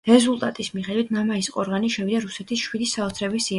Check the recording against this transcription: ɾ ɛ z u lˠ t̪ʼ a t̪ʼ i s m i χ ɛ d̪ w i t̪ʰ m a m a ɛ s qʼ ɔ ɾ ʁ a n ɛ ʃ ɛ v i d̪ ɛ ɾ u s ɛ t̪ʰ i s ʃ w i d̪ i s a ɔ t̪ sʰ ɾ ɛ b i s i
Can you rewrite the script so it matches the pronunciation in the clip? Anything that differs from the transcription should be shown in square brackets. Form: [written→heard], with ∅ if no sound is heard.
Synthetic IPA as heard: ɾ ɛ z u lˠ t̪ʼ a t̪ʼ i s m i χ ɛ d̪ w i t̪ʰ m a m a [ɛ→i] s qʼ ɔ ɾ ʁ a n [ɛ→i] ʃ ɛ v i d̪ [ɛ→a] ɾ u s ɛ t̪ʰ i s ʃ w i d̪ i s a ɔ t̪ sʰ ɾ ɛ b i s i